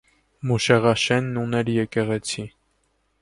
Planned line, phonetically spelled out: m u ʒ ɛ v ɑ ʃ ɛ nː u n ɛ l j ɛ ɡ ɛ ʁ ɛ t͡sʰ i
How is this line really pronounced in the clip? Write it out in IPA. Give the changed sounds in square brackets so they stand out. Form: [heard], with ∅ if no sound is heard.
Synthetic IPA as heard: m u [ʃ] ɛ [ʁ] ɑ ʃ ɛ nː u n ɛ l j ɛ [k] ɛ ʁ ɛ t͡sʰ i